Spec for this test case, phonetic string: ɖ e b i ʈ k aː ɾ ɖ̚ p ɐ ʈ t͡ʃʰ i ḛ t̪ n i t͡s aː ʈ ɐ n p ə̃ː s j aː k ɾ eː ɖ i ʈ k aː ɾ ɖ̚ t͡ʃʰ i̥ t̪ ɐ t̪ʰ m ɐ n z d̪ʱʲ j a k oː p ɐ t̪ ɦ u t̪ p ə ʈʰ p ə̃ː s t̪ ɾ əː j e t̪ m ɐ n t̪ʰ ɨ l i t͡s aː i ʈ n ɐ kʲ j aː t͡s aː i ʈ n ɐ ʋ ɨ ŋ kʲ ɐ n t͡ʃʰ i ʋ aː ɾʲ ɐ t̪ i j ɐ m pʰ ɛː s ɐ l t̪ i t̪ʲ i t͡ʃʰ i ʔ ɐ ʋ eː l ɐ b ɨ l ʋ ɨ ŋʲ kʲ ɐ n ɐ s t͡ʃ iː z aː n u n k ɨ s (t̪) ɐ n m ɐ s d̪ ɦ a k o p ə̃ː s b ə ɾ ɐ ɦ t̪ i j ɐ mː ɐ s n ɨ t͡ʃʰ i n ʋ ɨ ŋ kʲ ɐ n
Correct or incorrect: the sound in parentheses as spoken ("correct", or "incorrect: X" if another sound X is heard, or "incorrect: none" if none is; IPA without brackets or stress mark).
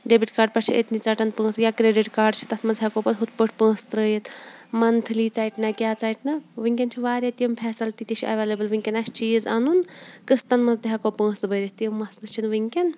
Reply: correct